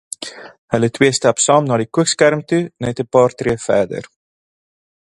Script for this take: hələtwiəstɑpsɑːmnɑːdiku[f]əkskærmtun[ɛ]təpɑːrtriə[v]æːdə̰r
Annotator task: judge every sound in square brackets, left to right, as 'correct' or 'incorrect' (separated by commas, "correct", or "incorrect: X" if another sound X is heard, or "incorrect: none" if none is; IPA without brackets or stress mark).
incorrect: none, correct, incorrect: f